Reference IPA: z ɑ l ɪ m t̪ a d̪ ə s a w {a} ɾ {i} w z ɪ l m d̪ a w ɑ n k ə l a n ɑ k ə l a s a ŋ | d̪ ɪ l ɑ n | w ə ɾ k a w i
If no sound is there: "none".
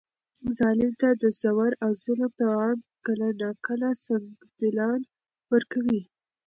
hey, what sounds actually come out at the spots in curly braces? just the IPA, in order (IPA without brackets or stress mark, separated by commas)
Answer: a, a